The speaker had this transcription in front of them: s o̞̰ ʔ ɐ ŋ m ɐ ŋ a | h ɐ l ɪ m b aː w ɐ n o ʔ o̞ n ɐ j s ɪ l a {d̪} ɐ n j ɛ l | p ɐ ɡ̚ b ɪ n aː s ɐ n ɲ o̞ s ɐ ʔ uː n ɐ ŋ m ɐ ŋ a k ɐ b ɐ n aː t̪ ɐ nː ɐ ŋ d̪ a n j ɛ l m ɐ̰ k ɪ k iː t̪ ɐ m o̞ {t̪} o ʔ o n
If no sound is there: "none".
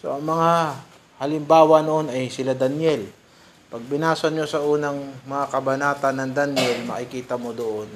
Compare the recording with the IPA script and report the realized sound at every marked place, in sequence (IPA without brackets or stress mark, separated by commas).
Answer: d̪, d̪